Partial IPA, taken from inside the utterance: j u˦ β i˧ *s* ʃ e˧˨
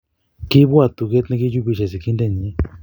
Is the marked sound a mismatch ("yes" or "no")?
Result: yes